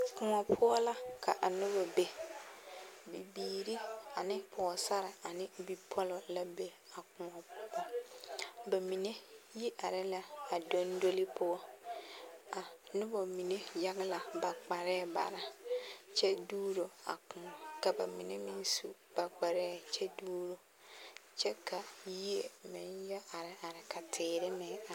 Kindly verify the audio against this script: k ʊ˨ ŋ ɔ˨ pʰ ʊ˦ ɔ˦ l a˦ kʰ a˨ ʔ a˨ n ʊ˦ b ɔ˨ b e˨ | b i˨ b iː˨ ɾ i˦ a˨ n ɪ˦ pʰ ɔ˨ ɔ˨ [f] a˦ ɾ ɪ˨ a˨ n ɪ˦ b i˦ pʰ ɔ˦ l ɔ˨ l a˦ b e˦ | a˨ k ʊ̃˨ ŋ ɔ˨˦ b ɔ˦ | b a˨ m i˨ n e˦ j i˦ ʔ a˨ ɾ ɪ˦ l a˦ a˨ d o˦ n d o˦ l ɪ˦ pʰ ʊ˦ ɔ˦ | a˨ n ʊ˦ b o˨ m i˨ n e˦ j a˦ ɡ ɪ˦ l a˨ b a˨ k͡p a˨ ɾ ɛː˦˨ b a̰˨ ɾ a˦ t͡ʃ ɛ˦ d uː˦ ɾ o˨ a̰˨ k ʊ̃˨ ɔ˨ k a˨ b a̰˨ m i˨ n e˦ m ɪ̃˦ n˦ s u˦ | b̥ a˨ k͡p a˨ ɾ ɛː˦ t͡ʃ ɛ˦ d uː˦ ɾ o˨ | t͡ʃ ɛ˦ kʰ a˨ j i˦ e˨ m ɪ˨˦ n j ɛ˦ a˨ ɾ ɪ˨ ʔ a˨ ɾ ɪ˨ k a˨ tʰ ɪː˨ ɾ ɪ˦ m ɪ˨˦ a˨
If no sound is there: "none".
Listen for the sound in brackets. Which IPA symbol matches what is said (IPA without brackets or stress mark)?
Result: s